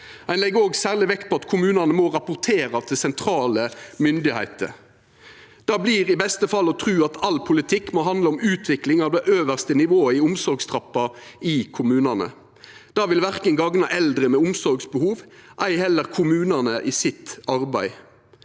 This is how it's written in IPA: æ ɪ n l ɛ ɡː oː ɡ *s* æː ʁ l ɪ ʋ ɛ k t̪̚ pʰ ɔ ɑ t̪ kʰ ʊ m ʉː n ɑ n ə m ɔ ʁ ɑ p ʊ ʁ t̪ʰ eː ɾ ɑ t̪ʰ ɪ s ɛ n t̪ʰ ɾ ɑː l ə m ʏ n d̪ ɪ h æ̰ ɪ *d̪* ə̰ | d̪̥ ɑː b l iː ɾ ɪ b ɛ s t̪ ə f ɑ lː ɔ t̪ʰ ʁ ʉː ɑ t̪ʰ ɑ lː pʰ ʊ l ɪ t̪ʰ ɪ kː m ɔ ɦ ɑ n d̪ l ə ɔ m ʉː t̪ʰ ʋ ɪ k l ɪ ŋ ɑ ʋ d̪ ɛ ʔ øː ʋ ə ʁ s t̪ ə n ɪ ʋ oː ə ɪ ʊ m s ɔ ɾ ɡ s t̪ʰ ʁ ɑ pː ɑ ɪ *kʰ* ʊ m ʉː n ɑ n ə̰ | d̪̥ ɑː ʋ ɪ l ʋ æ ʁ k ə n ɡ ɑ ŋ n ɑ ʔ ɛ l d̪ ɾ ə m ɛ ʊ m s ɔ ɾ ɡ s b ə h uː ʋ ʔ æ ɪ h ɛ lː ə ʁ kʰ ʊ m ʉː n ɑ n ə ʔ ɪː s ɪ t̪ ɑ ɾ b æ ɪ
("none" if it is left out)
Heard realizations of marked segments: s, t̪, kʰ

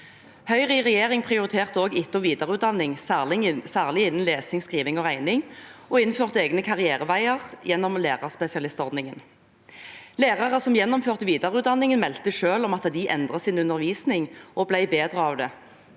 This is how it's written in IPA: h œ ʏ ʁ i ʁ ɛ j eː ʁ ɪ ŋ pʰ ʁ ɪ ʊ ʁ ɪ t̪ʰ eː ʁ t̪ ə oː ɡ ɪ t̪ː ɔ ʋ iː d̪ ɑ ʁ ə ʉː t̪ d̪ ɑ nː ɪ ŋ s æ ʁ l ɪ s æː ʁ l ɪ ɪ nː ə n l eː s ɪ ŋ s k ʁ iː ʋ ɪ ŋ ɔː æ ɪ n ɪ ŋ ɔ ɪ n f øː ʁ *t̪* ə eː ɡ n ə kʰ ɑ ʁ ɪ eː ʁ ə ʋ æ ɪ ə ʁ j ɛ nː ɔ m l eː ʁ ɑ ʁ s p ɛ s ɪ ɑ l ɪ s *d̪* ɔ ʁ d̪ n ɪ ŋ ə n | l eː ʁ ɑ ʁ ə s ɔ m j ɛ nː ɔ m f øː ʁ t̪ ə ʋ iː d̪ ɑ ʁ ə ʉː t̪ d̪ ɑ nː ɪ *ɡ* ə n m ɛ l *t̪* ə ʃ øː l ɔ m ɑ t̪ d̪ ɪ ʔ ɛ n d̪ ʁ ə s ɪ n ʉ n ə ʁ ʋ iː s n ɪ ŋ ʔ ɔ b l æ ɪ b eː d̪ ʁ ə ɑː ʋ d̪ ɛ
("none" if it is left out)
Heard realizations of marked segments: t̪, t̪, ŋ, t̪

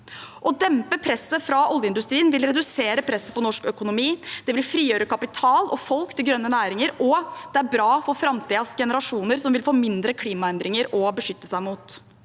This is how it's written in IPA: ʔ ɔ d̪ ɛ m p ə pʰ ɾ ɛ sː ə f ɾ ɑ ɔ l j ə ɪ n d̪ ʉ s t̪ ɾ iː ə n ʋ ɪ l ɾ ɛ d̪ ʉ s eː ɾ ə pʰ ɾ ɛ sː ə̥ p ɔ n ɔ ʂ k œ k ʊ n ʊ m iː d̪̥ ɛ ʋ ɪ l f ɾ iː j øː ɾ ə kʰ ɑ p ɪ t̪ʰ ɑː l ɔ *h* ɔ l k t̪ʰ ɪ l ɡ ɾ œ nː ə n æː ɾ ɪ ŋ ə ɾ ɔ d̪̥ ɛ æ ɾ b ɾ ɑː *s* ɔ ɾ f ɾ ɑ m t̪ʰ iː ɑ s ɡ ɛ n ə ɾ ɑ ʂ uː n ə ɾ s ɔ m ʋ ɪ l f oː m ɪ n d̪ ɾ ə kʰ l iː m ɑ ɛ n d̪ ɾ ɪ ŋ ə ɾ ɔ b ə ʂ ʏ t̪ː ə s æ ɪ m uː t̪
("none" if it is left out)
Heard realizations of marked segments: f, f

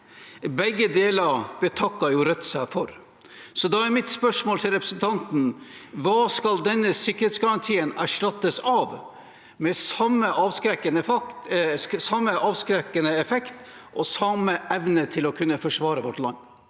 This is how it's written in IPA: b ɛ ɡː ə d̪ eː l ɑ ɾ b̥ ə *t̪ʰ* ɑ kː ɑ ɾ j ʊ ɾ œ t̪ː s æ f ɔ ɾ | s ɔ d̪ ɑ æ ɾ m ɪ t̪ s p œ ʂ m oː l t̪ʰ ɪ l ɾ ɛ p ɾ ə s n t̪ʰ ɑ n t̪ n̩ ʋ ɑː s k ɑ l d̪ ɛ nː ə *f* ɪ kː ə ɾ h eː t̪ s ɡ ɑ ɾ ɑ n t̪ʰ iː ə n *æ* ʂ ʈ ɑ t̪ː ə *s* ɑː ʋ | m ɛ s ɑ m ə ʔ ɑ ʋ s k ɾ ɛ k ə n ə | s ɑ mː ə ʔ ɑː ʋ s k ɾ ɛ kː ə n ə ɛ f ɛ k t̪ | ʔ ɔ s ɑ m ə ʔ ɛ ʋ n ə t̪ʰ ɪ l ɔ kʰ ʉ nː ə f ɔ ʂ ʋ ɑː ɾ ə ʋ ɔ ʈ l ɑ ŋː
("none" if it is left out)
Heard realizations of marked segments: t̪ʰ, s, æ, s

